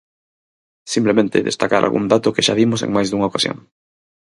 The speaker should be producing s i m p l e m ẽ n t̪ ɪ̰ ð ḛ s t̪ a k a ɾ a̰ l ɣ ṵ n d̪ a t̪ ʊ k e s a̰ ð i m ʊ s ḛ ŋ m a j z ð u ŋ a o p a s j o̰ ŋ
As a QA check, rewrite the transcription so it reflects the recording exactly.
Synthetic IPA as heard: s i m p l e m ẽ n t̪ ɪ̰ ð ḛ s t̪ a k a ɾ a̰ l ɣ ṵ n d̪ a t̪ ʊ k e ʃ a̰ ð i m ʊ s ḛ ŋ m a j z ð u ŋ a o k a s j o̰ ŋ